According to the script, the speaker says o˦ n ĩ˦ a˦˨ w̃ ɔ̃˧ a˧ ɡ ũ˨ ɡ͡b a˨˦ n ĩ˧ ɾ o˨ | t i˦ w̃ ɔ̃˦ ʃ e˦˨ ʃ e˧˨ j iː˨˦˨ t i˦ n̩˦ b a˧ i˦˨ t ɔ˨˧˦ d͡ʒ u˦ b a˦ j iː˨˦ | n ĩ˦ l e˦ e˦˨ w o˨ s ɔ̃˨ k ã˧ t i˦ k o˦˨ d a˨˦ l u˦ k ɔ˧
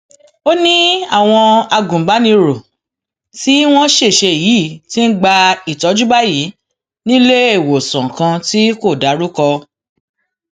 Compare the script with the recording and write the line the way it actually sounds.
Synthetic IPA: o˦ n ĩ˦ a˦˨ w̃ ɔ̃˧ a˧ ɡ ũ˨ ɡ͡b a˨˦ n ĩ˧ ɾ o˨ | t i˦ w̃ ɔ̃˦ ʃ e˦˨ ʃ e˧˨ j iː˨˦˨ t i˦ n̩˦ ɡ͡b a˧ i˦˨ t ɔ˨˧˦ d͡ʒ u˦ b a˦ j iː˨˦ | n ĩ˦ l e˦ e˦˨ w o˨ s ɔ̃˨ k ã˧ t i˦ k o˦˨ d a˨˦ ɾ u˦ k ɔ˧